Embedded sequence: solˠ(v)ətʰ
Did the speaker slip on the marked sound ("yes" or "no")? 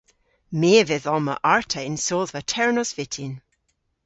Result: no